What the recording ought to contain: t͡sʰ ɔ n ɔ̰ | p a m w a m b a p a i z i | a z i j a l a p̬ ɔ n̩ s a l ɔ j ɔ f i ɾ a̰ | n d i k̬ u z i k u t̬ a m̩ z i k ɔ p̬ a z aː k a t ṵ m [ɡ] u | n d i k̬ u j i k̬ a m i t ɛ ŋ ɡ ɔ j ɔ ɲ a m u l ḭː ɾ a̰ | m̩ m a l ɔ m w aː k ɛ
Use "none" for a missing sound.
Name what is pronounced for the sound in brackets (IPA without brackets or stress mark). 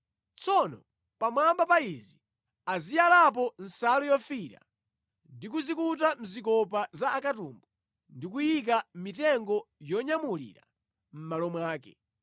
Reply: b